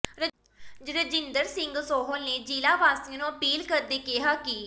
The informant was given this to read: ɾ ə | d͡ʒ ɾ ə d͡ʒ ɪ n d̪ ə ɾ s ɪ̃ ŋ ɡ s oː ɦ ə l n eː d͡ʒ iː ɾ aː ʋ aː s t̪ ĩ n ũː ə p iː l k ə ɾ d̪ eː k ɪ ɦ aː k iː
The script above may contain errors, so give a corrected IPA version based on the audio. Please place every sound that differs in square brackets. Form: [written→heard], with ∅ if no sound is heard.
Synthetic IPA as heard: ɾ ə | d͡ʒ ɾ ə d͡ʒ ɪ n d̪ ə ɾ s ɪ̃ ŋ ɡ s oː ɦ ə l n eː d͡ʒ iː [ɾ→l] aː ʋ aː s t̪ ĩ n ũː ə p iː l k ə ɾ d̪ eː k ɪ ɦ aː k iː